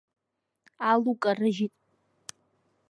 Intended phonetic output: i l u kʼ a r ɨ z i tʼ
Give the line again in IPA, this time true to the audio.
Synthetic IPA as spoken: a l u kʼ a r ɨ ʒ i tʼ